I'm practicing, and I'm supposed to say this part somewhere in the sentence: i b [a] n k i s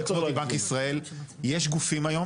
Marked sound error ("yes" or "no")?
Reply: no